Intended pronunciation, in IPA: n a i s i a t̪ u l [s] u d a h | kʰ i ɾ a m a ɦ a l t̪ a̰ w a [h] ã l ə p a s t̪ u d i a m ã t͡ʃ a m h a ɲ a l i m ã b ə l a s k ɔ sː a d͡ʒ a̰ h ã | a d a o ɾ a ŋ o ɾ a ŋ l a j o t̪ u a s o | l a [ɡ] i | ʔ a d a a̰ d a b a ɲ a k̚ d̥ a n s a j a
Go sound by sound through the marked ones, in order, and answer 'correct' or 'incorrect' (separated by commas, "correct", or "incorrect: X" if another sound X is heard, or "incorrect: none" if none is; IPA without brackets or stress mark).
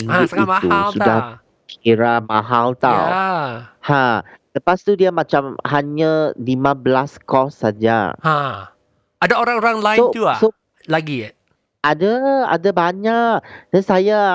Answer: correct, correct, correct